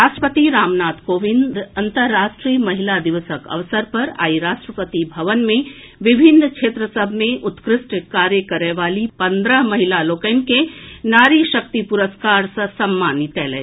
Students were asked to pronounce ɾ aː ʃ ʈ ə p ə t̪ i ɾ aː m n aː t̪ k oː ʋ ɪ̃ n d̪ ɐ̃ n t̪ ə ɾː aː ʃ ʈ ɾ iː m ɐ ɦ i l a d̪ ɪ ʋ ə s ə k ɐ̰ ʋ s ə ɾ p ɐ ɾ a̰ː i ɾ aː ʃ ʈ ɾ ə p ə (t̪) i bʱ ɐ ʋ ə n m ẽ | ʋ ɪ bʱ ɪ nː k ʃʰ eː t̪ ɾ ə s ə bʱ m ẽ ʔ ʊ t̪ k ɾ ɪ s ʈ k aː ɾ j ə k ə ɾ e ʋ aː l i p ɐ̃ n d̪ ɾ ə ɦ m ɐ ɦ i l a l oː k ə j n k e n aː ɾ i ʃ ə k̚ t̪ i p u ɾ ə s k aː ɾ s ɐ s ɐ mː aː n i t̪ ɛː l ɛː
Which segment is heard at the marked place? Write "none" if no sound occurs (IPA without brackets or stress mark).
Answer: t̪